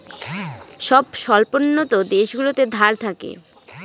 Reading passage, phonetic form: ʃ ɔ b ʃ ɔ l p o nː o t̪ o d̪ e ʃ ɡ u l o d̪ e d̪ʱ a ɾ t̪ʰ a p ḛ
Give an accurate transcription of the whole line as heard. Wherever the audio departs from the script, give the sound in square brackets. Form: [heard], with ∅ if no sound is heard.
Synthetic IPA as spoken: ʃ ɔ b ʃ ɔ l p o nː o t̪ o d̪ e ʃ ɡ u l o [t̪] e d̪ʱ a ɾ t̪ʰ a [k] ḛ